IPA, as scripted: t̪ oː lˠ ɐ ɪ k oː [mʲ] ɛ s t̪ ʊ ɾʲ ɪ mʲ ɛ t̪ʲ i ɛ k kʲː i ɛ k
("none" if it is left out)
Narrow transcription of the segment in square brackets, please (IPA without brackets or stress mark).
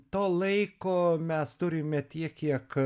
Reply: mʲ